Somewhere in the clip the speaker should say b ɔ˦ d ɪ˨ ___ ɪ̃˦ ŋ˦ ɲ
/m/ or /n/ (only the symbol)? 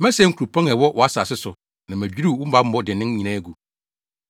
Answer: n